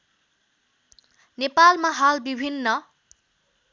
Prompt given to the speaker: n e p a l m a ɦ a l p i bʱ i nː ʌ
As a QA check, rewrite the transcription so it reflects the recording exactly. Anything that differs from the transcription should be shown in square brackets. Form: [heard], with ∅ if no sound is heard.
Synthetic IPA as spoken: n e p a l m a ɦ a l [b] i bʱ i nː ʌ